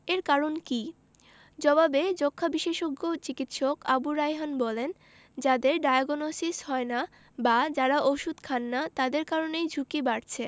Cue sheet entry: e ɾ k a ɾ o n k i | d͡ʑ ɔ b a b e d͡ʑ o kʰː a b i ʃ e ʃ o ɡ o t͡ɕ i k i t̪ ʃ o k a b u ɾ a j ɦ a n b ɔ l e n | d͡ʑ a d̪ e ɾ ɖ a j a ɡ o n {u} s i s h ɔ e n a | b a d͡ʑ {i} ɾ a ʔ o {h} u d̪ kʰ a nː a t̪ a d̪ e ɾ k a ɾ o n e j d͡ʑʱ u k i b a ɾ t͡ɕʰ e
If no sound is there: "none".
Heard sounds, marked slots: o, a, ʃ

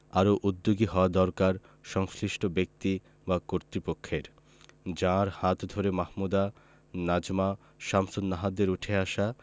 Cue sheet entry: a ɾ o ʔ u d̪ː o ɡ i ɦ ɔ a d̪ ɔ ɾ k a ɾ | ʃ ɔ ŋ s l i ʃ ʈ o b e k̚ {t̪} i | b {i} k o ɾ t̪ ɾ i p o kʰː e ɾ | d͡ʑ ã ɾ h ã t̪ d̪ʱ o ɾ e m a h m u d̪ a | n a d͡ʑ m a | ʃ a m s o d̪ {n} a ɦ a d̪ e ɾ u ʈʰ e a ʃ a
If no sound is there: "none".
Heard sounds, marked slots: t̪, a, n

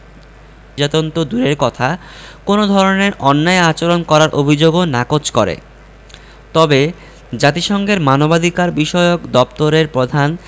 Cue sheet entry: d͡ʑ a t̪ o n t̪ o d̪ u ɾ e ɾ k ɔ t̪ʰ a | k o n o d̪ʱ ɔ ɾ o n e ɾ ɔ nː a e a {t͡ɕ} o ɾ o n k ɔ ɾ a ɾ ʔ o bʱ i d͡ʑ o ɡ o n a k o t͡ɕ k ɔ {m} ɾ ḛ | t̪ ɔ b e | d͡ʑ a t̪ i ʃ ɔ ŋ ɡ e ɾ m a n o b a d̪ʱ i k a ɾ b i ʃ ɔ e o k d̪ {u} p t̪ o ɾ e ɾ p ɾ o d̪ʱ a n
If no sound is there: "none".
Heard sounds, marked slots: t͡ɕ, none, ɔ

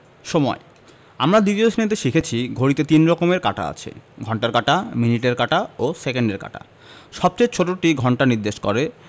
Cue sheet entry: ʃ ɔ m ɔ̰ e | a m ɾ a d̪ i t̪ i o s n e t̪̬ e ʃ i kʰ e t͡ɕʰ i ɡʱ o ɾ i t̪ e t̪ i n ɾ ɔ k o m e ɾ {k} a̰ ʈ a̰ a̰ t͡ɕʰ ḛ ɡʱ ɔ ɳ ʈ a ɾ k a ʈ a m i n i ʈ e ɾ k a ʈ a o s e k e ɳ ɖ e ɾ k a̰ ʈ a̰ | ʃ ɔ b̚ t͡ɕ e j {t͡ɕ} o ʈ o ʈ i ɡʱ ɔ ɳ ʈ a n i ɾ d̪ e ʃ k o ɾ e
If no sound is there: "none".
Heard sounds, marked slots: k, t͡ɕʰ

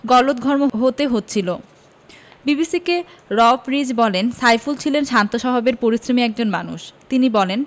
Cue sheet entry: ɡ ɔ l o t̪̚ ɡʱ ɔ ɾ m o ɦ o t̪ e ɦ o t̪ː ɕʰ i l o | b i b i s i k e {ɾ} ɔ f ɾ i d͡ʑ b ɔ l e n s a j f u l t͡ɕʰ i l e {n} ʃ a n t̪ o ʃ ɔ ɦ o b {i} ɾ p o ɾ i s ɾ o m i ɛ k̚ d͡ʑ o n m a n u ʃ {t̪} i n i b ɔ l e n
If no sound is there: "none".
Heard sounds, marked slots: ɾ, n, e, t̪

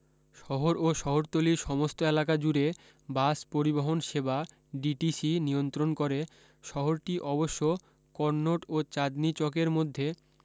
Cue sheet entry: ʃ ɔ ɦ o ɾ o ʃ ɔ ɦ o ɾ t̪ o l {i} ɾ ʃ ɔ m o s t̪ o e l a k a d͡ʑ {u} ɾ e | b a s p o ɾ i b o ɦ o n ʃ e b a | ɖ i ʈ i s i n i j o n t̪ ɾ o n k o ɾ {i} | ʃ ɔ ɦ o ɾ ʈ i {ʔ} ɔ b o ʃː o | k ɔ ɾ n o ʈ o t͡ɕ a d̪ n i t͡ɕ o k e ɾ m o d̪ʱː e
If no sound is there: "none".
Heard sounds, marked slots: i, u, e, ʔ

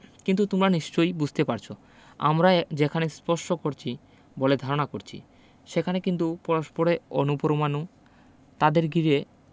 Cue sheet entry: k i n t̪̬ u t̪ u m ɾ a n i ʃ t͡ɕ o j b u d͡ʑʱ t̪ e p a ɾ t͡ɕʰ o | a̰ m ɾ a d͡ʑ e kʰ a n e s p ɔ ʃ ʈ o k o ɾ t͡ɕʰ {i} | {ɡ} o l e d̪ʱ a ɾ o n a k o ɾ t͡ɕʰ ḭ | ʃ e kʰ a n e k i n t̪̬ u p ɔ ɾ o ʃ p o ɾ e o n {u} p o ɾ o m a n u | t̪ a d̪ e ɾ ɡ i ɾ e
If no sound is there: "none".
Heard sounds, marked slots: i, b, u

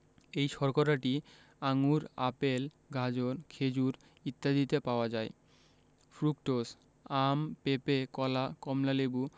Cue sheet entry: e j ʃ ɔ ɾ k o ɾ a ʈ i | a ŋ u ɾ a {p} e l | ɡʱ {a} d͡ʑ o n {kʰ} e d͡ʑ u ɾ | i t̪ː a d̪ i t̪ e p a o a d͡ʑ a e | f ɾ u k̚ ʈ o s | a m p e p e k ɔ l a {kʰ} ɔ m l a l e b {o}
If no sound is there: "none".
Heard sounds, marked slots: p, a, kʰ, k, u

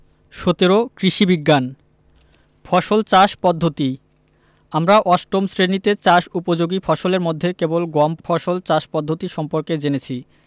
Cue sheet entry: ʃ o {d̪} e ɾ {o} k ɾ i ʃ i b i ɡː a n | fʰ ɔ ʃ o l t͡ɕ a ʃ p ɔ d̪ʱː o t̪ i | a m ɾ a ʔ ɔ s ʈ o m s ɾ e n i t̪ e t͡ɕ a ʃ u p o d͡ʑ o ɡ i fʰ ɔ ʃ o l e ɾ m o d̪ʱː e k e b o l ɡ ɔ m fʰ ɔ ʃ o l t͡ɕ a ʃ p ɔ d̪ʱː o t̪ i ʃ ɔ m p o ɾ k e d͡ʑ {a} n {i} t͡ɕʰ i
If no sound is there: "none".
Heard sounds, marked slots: t̪, o, e, e

